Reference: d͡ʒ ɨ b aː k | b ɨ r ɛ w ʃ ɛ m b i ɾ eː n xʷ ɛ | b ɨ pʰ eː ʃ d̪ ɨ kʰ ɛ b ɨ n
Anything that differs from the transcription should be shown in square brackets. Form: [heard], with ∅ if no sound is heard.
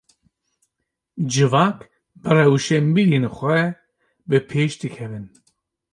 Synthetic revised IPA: d͡ʒ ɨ [v] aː k | b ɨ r ɛ w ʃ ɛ m b i ɾ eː n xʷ ɛ | b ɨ pʰ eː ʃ d̪ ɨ kʰ ɛ [v] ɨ n